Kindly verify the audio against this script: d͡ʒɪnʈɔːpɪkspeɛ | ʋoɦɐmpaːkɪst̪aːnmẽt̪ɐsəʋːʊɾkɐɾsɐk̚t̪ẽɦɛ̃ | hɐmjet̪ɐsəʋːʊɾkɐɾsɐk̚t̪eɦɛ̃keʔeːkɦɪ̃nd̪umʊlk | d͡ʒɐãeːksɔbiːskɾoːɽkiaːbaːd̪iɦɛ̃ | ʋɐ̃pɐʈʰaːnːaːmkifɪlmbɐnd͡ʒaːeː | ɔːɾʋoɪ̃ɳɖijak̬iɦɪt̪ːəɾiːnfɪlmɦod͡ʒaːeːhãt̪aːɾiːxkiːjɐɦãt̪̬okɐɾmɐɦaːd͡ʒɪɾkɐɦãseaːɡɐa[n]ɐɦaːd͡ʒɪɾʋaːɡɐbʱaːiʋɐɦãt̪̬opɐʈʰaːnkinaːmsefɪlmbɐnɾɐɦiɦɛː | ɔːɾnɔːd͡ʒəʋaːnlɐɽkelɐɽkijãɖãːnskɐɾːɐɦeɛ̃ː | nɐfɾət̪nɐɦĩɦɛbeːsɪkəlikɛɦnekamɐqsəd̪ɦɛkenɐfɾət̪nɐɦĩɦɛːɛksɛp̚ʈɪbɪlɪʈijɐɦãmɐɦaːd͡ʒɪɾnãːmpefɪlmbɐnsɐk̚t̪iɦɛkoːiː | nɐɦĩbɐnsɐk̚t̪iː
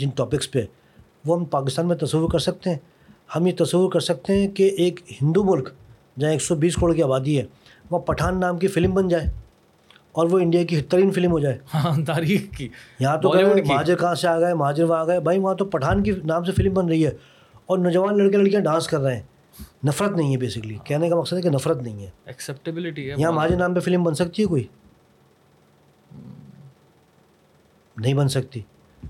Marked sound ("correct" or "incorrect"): incorrect